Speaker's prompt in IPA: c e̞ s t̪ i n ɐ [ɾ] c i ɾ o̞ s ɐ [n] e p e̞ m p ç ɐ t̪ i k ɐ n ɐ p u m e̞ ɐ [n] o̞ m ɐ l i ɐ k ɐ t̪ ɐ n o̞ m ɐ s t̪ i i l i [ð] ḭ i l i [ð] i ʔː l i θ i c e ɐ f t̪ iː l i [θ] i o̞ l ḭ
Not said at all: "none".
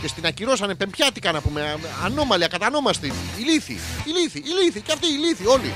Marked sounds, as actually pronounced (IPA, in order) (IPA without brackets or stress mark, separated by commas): none, n, n, θ, θ, θ